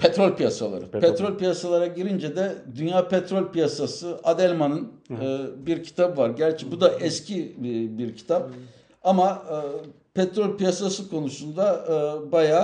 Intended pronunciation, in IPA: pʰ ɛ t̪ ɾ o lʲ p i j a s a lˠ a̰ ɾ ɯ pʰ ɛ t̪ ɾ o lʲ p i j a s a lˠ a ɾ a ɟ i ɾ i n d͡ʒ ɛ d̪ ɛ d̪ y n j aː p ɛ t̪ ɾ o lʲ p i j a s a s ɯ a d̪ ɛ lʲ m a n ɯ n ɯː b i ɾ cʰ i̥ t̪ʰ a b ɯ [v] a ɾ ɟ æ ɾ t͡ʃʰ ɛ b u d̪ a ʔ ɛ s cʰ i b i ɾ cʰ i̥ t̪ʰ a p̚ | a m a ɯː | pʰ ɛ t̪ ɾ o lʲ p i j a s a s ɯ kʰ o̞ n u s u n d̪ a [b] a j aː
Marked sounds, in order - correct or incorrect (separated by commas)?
correct, correct